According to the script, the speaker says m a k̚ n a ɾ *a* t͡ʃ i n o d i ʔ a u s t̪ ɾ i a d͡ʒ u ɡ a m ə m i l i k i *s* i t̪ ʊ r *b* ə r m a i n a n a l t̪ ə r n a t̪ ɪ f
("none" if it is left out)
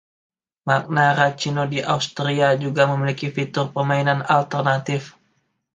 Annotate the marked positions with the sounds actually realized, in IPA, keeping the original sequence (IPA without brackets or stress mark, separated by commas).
a, f, p